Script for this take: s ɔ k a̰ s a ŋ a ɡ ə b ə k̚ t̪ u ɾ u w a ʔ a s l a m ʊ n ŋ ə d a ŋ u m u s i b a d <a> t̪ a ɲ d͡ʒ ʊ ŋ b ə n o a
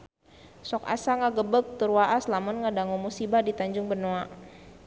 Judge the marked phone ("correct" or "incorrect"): incorrect